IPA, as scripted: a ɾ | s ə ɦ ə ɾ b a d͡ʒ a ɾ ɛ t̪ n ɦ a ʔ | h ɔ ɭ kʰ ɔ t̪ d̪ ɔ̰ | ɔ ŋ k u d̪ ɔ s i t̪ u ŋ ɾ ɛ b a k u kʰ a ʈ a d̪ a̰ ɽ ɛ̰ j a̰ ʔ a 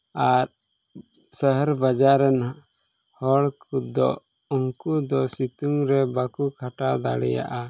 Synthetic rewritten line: a ɾ | s ə ɦ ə ɾ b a d͡ʒ a ɾ ɛ n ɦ a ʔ | h ɔ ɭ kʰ u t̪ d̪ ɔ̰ | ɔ ŋ k u d̪ ɔ s i t̪ u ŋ ɾ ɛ b a k u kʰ a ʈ a d̪ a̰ ɽ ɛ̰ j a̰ ʔ a